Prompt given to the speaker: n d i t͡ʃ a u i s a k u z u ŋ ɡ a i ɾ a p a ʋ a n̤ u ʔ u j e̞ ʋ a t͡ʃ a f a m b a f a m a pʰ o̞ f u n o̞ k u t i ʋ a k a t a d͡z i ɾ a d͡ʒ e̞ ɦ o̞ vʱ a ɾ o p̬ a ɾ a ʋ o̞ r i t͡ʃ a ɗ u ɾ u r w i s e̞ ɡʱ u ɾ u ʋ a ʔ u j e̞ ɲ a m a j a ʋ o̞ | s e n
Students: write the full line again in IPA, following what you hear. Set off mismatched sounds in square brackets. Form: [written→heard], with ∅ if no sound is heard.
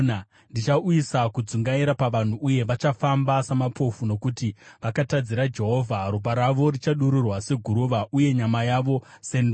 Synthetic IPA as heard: n d i t͡ʃ a u i s a k u [z→d͡z] u ŋ ɡ a i ɾ a p a ʋ a n̤ u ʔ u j e̞ ʋ a t͡ʃ a f a m b a [f→s] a m a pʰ o̞ f u n o̞ k u t i ʋ a k a t a d͡z i ɾ a d͡ʒ e̞ ɦ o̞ vʱ a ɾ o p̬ a ɾ a ʋ o̞ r i t͡ʃ a ɗ u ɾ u r w [i→a] s e̞ ɡʱ u ɾ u ʋ a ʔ u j e̞ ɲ a m a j a ʋ o̞ | s e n